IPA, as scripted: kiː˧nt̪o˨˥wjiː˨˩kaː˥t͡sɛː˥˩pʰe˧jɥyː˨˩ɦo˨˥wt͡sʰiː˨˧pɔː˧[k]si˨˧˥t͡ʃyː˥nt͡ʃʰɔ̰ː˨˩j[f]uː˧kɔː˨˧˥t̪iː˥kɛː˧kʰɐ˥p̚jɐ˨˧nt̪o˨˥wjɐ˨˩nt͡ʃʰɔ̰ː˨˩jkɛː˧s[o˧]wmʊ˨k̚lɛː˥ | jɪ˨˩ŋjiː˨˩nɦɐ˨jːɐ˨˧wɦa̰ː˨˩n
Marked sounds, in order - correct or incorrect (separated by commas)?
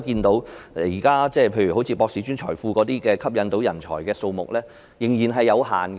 correct, correct, correct